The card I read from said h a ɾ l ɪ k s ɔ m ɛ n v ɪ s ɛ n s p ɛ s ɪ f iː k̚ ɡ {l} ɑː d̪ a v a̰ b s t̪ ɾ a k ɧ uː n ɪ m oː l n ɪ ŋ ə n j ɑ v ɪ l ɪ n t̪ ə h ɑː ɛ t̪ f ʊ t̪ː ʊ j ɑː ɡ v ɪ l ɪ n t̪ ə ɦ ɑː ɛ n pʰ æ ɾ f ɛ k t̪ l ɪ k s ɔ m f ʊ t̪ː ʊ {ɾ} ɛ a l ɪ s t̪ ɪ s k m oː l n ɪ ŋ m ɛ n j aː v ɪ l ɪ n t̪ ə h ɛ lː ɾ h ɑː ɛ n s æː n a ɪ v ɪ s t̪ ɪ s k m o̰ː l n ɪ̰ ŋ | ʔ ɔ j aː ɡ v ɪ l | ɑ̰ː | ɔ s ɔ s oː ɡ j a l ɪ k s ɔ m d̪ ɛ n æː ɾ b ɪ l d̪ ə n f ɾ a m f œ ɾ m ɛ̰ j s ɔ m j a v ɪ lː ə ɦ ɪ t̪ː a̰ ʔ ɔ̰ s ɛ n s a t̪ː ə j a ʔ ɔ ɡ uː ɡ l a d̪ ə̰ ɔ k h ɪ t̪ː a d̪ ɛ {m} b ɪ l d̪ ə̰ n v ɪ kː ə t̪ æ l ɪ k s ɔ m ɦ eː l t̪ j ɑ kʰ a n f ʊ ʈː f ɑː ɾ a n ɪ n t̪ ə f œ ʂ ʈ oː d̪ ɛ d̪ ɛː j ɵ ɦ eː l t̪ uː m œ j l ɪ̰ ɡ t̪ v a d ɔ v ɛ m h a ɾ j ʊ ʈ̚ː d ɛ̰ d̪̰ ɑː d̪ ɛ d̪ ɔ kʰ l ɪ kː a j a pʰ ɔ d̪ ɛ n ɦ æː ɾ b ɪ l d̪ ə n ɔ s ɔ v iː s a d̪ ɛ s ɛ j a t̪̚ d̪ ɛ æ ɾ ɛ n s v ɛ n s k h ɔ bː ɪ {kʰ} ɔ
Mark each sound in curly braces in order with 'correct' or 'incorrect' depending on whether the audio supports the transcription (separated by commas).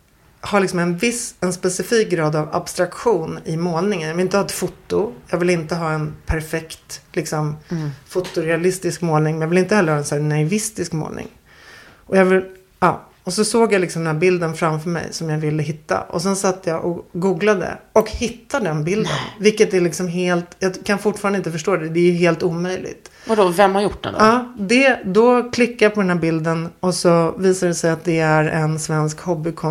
incorrect, correct, incorrect, correct